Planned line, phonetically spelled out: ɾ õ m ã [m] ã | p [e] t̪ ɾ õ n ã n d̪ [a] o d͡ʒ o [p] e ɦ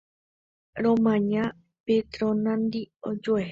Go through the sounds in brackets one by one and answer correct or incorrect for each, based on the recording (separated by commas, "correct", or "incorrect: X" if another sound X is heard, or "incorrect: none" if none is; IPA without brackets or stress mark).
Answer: incorrect: ɲ, correct, incorrect: i, incorrect: none